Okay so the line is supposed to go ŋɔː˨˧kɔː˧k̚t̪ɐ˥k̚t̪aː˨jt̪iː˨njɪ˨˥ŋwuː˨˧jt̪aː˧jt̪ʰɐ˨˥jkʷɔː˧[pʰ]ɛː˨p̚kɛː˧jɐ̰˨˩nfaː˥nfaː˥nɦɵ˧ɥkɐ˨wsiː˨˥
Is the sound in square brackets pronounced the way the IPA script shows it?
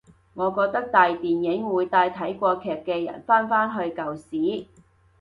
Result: no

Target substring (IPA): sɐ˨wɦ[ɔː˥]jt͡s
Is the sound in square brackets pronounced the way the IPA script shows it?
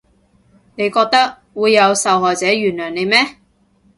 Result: no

